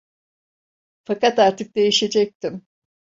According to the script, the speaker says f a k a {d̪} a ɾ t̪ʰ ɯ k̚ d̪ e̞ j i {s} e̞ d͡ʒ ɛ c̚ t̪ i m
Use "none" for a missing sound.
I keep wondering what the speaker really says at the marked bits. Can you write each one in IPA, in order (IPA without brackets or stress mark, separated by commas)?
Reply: t̪, ʃ